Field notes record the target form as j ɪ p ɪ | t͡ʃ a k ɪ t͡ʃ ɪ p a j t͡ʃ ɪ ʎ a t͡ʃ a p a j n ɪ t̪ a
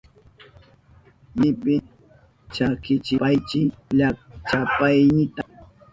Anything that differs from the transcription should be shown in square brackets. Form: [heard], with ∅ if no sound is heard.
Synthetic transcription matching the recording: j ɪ p ɪ | t͡ʃ a k ɪ t͡ʃ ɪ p a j t͡ʃ ɪ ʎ a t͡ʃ a p a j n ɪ t̪ a